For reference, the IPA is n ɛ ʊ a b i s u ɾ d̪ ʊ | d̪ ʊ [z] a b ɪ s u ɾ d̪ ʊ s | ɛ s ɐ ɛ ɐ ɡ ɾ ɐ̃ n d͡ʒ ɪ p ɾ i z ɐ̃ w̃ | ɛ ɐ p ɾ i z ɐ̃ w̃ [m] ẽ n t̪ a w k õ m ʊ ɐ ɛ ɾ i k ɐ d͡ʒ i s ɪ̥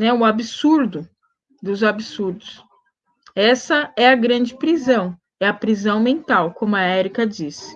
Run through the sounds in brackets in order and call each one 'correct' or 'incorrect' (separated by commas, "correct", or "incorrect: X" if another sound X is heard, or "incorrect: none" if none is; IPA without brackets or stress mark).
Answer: correct, correct